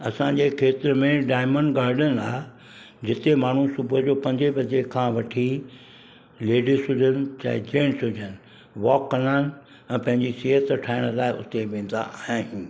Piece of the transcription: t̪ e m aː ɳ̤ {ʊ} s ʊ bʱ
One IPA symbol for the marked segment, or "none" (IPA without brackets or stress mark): u